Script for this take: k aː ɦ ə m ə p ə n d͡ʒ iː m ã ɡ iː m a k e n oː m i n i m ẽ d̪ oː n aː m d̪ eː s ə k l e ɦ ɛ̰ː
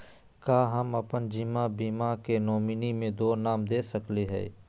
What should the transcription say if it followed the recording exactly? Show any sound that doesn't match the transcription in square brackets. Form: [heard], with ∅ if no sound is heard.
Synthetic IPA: k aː ɦ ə m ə p ə n d͡ʒ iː m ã [b] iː m a k e n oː m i n i m ẽ d̪ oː n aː m d̪ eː s ə k l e ɦ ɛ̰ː